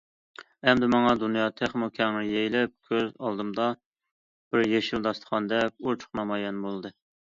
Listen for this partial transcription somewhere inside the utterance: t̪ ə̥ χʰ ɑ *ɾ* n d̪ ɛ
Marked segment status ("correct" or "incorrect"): incorrect